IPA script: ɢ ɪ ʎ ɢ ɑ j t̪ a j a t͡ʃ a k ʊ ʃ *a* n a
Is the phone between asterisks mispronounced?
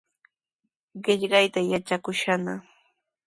no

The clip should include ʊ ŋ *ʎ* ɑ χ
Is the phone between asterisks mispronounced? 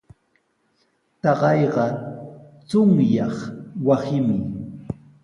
yes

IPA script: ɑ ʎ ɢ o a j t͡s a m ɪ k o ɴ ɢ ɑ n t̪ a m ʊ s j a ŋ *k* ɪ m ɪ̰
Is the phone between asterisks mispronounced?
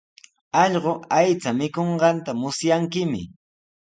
no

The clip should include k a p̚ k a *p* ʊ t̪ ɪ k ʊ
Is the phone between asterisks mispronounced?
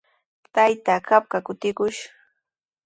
yes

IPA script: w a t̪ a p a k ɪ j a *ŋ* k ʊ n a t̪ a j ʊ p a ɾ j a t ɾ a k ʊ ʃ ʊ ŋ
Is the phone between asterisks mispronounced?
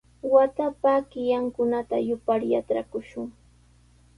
no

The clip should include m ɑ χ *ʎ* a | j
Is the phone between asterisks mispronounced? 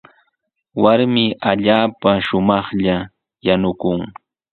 no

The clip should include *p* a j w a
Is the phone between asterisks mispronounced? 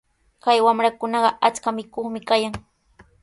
yes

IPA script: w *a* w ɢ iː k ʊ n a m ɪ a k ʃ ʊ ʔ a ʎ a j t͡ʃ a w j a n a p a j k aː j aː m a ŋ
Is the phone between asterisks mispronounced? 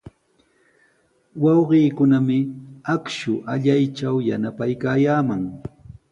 yes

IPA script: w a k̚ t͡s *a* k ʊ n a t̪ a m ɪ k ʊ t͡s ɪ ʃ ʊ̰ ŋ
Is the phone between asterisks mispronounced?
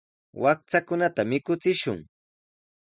no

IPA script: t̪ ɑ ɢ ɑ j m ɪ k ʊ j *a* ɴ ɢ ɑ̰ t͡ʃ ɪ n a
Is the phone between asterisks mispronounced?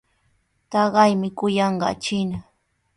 yes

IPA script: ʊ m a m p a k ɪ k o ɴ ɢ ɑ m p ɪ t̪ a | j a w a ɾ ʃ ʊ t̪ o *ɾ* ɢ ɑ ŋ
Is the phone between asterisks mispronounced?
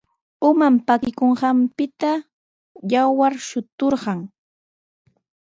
no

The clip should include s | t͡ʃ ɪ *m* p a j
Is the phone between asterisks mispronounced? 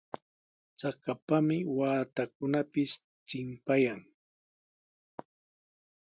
no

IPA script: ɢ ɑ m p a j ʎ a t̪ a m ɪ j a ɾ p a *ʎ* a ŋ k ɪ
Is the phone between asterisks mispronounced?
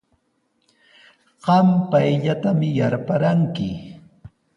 yes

